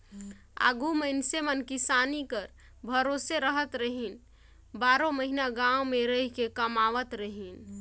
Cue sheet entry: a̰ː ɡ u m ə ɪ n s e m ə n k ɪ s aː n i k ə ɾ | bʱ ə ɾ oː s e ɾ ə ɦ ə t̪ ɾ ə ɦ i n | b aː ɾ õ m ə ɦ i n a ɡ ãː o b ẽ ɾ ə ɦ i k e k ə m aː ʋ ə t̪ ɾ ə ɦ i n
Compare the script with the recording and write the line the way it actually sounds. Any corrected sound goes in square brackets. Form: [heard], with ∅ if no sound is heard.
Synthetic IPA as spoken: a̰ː ɡ u m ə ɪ n s e m ə n k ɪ s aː n i k ə ɾ | bʱ ə ɾ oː s e ɾ ə ɦ ə t̪ ɾ ə ɦ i n | b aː ɾ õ m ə ɦ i n a ɡ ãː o [m] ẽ ɾ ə ɦ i k e k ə m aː ʋ ə t̪ ɾ ə ɦ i n